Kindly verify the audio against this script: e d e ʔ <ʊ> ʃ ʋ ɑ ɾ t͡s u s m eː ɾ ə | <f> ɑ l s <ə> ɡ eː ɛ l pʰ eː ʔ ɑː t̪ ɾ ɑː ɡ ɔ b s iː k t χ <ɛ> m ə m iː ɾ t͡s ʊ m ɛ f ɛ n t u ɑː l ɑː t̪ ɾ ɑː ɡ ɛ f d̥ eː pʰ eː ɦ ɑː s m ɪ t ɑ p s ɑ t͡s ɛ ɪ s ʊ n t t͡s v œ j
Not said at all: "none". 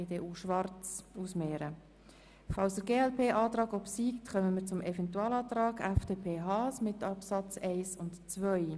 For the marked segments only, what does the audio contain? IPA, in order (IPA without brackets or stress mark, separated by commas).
u, f, ə, œ